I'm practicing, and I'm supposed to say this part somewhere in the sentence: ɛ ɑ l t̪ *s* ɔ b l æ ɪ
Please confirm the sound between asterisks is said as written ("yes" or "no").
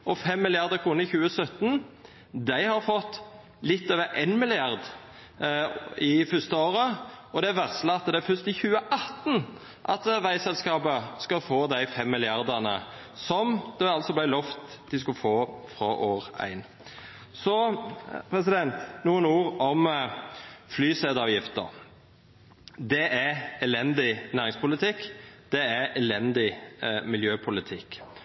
yes